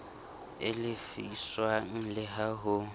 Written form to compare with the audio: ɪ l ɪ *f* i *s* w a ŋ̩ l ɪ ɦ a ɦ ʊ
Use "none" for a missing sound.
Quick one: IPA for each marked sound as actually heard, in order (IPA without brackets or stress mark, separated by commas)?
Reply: f, s